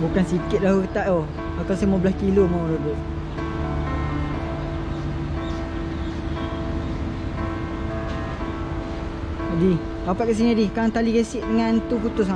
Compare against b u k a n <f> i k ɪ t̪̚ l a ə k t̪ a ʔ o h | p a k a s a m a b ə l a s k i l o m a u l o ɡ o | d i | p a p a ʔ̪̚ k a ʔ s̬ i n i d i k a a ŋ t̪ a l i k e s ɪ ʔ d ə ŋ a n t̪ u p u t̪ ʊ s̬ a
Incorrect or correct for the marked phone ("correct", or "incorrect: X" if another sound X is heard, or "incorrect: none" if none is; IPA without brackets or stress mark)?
incorrect: s